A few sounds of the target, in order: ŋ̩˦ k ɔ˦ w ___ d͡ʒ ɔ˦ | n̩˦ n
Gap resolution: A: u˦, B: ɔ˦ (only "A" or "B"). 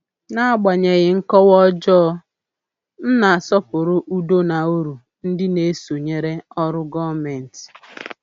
B